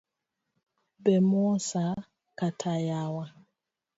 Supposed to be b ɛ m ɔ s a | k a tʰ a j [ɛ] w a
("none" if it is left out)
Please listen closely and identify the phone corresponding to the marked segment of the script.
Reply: a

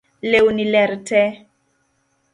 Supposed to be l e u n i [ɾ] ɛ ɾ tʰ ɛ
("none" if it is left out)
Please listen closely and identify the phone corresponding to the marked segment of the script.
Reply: l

